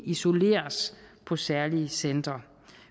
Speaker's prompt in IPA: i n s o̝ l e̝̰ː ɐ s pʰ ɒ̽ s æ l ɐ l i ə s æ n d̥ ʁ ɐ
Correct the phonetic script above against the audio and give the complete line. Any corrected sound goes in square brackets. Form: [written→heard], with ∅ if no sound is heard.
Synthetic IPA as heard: i [n→∅] s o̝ l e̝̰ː ɐ s pʰ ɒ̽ s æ [l→∅] ɐ l i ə s [æ→e] n d̥ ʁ ɐ